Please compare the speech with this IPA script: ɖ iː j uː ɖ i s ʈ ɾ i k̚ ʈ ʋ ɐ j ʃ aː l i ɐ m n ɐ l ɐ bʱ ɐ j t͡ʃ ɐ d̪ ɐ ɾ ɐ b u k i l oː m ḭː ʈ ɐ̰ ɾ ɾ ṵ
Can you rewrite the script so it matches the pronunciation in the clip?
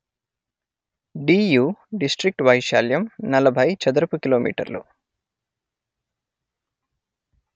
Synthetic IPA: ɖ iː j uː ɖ i s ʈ ɾ i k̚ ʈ ʋ ɐ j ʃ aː l j ɐ m n ɐ l ɐ bʱ ɐ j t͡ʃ ɐ d̪ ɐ ɾ ɐ p u k i l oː m ḭː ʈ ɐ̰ ɾ l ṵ